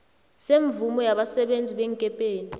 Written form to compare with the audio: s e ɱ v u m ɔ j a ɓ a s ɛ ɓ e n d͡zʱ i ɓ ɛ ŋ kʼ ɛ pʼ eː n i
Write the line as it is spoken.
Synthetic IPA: s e ɱ v u m ɔ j a ɓ a s ɛ ɓ e n d͡zʱ i ɓ ɛ ŋ kʼ ɛ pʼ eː n i